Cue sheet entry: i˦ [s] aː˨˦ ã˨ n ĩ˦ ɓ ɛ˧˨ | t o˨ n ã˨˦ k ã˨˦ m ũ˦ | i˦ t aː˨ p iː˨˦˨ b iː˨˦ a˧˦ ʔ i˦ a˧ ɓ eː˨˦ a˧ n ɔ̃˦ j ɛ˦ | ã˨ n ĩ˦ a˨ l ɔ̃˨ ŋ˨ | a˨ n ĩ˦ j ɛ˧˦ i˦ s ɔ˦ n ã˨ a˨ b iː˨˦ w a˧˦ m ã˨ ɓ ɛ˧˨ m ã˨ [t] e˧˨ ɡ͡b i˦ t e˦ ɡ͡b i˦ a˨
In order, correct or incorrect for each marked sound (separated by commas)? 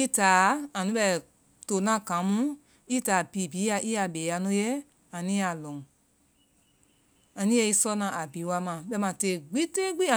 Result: incorrect, correct